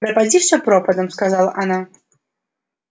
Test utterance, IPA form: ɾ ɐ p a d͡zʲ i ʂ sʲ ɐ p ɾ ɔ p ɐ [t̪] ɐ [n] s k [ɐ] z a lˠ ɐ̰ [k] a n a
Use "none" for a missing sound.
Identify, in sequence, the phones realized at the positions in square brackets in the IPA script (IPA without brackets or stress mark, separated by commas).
d̪, m, a, ʔ